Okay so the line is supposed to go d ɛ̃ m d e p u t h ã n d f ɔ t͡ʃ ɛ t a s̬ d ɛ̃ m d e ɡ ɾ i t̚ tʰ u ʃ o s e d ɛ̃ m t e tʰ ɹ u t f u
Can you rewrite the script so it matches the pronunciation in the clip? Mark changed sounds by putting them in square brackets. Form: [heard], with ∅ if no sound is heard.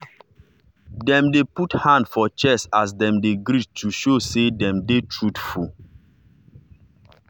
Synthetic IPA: d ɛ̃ m d e p u t h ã n d f ɔ t͡ʃ ɛ [s] a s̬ d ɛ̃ m d e ɡ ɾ i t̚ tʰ u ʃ o s e d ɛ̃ m [d] e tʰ ɹ u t f u